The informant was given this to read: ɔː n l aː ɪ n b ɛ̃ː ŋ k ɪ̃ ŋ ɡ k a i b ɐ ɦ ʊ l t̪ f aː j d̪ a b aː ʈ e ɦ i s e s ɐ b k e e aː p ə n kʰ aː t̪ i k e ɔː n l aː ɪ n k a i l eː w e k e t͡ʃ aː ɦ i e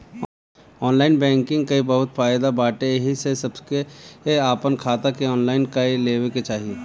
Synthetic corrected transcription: ɔː n l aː ɪ n b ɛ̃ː ŋ k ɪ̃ ŋ ɡ k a i b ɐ ɦ ʊ t̪ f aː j d̪ a b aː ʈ e ɦ i s e s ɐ b k e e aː p ə n kʰ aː t̪ a k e ɔː n l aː ɪ n k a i l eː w e k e t͡ʃ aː ɦ i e

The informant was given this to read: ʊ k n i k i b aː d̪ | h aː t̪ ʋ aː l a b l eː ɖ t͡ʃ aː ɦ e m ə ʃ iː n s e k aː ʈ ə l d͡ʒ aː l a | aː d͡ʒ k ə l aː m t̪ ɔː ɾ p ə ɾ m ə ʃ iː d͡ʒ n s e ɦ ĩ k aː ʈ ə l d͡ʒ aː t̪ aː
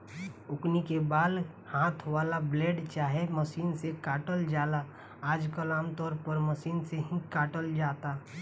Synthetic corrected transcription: ʊ k n i k e b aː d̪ | h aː t̪ʰ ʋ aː l a b l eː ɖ t͡ʃ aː ɦ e m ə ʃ iː n s e k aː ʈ ə l d͡ʒ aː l a | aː d͡ʒ k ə l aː m t̪ ɔː ɾ p ə ɾ m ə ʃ iː n s e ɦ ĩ k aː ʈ ə l d͡ʒ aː t̪ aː

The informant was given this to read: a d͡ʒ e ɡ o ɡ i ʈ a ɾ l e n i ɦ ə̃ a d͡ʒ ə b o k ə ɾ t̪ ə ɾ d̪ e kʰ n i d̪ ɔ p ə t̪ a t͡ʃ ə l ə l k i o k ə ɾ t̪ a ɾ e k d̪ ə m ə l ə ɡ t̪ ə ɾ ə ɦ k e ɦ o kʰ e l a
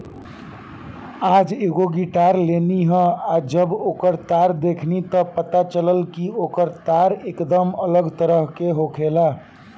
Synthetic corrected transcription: a d͡ʒ e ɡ o ɡ i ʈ a ɾ l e n i ɦ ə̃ a d͡ʒ ə b o k ə ɾ t̪ a ɾ d̪ e kʰ n i t̪ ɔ p ə t̪ a t͡ʃ ə l ə l k i o k ə ɾ t̪ a ɾ e k d̪ ə m ə l ə ɡ t̪ ə ɾ ə ɦ k e ɦ o kʰ e l a

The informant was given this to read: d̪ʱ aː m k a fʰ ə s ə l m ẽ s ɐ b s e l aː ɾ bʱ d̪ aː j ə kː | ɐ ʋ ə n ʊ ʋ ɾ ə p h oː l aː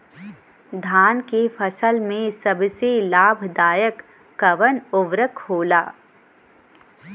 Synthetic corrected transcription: d̪ʱ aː n k e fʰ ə s ə l m ẽ s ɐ b s e l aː bʱ d̪ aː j ə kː | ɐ ʋ ə n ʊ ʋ ɾ ə k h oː l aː

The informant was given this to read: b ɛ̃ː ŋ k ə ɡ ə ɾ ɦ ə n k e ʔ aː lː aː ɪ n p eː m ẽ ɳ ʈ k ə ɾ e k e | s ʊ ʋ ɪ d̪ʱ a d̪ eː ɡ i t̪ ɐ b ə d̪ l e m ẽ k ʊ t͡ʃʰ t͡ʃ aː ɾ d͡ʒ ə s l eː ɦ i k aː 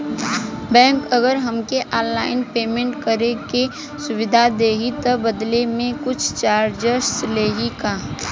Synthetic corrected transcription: b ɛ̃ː ŋ k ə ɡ ə ɾ ɦ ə m k e ʔ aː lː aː ɪ n p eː m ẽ ɳ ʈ k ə ɾ e k e | s ʊ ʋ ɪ d̪ʱ a d̪ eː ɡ i t̪ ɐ b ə d̪ l e m ẽ k ʊ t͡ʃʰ t͡ʃ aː ɾ d͡ʒ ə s l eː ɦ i k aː

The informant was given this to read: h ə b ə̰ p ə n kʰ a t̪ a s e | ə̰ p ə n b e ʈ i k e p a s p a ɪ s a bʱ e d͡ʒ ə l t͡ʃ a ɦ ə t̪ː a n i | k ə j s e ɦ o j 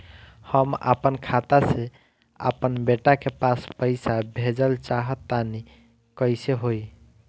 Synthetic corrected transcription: h ə m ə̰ p ə n kʰ a t̪ a s e | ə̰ p ə n b e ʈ a k e p a s p ə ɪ s a bʱ e d͡ʒ ə l t͡ʃ a ɦ ə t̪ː a n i | k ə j s e ɦ o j

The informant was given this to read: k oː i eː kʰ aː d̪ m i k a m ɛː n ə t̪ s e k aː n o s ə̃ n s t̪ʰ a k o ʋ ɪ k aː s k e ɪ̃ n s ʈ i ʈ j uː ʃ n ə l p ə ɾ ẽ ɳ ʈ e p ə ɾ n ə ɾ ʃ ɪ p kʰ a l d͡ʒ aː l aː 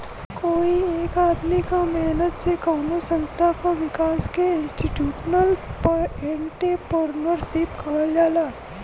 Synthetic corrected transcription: k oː i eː k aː d̪ m i k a m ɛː n ə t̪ s e k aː n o s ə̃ n s t̪ʰ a k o ʋ ɪ k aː s k e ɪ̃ n s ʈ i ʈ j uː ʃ n ə l p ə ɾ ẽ ɳ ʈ e p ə ɾ n ə ɾ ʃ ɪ p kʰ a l d͡ʒ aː l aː

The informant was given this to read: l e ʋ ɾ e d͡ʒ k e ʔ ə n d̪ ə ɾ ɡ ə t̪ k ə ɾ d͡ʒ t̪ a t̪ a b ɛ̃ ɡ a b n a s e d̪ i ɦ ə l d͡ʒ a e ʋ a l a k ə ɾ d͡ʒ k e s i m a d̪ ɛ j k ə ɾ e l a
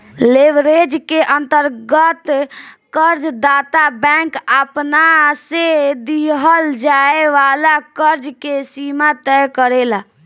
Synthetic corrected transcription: l e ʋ ɾ e d͡ʒ k e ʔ ə n t̪ ə ɾ ɡ ə t̪ k ə ɾ d͡ʒ d̪ a t̪ a b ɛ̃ k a p n a s e d̪ i ɦ ə l d͡ʒ a e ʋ a l a k ə ɾ d͡ʒ k e s i m a t̪ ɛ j k ə ɾ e l a

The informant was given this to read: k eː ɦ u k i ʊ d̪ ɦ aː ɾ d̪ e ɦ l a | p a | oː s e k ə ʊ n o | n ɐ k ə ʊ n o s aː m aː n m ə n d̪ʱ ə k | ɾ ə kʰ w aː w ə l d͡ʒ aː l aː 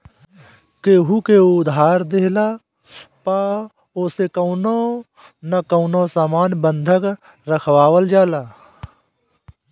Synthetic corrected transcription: k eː ɦ u k e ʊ d̪ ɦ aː ɾ d̪ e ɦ l a | p a | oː s e k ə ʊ n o | n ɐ k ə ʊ n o s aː m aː n b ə n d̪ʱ ə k | ɾ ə kʰ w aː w ə l d͡ʒ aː l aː

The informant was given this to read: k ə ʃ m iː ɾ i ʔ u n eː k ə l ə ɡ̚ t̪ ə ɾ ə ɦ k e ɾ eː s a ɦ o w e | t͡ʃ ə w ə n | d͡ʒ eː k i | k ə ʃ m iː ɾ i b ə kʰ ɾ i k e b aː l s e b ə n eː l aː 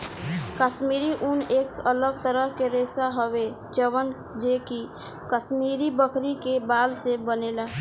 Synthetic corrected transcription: k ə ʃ m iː ɾ i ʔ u n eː k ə l ə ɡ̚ t̪ ə ɾ ə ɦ k e ɾ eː s a ɦ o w e | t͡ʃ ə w ə n | d͡ʒ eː k i | k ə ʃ m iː ɾ i b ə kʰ ɾ i k e b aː l s e b ə n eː l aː

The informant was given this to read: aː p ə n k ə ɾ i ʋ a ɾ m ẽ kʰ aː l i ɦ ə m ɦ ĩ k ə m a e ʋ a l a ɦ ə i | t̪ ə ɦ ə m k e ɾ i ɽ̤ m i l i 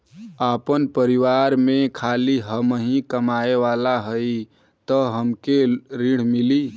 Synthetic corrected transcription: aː p ə n p ə ɾ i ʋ a ɾ m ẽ kʰ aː l i ɦ ə m ɦ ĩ k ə m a e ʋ a l a ɦ ə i | t̪ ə ɦ ə m k e ɾ i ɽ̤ m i l i

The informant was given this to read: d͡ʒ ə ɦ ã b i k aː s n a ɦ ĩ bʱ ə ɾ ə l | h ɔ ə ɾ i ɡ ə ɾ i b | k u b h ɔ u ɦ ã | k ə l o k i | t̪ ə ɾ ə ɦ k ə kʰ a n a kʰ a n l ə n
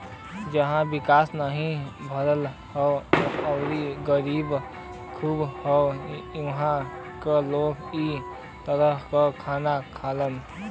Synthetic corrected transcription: d͡ʒ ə ɦ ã b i k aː s n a ɦ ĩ bʱ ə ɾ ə l | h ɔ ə ɾ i ɡ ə ɾ i b | kʰ u b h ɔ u ɦ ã | k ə l o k i | t̪ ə ɾ ə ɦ k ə kʰ a n a kʰ a l ə n

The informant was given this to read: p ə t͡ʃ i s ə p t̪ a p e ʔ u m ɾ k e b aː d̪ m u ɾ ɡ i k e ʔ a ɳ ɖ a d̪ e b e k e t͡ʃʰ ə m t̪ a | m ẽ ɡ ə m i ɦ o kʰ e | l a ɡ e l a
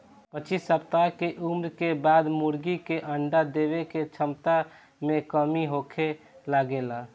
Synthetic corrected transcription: p ə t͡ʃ i s ə p t̪ a k e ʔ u m ɾ k e b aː d̪ m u ɾ ɡ i k e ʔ ə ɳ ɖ a d̪ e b e k e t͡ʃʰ ə m t̪ a | m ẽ k ə m i ɦ o kʰ e | l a ɡ e l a

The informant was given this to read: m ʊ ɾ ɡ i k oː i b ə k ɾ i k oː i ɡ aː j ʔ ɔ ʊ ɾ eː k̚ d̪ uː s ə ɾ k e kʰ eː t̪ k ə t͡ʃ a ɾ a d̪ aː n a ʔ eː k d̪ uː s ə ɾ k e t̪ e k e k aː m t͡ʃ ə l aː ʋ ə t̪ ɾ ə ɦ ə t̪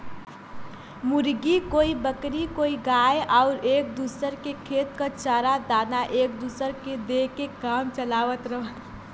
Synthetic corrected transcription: m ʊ ɾ ɡ i k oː i b ə k ɾ i k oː i ɡ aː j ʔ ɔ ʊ ɾ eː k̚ d̪ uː s ə ɾ k e kʰ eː t̪ k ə t͡ʃ a ɾ a d̪ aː n a ʔ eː k d̪ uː s ə ɾ k e d̪ e k e k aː m t͡ʃ ə l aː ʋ ə t̪ ɾ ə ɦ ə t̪

